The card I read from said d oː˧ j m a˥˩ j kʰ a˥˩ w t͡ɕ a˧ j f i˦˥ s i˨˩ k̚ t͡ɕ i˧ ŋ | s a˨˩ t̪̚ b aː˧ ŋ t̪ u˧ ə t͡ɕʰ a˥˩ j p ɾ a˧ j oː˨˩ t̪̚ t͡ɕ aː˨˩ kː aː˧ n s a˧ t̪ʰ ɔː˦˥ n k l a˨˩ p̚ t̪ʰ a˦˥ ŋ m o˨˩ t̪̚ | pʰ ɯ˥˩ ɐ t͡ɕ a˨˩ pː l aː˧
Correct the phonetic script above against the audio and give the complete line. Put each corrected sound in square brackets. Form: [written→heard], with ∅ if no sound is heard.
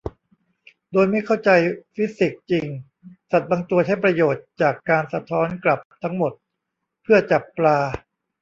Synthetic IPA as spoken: d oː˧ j m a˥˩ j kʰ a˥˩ w t͡ɕ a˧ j f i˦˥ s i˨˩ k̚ t͡ɕ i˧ ŋ | s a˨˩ t̪̚ b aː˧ ŋ t̪ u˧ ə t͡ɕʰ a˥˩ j p ɾ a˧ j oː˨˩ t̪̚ t͡ɕ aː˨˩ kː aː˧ n s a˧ t̪ʰ ɔː˦˥ n k l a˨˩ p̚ t̪ʰ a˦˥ ŋ m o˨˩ t̪̚ | pʰ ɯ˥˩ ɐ t͡ɕ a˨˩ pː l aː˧